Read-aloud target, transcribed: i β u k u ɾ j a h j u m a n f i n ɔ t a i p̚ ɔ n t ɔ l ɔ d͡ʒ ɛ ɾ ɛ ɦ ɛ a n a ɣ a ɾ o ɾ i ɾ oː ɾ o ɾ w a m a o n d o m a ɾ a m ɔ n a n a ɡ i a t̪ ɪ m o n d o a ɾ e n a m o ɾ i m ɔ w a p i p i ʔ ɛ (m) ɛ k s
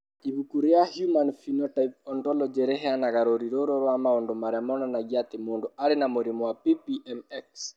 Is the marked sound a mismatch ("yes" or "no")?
no